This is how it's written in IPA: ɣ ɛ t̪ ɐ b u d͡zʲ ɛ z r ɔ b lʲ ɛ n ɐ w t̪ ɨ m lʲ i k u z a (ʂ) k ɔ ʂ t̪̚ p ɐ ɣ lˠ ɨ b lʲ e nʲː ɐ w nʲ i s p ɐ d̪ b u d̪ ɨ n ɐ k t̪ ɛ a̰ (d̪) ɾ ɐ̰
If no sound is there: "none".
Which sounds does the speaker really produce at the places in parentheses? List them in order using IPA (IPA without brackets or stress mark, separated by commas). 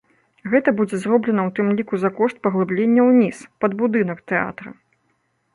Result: none, t̪